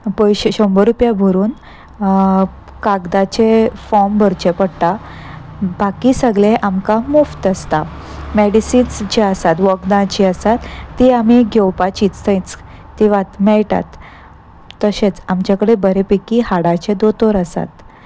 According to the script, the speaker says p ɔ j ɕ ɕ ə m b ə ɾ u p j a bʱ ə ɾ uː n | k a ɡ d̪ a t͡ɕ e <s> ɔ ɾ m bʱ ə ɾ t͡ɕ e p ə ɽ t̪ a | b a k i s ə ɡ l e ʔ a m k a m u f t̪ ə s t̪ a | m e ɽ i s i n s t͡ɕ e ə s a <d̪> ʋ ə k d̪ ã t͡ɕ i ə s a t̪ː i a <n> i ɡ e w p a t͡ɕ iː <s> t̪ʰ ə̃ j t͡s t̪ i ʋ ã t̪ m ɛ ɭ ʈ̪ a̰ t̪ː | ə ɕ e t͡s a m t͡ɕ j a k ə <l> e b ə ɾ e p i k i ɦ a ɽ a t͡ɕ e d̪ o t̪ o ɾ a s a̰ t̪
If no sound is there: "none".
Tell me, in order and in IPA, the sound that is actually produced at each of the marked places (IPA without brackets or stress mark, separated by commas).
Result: f, t̪, m, t͡s, ɽ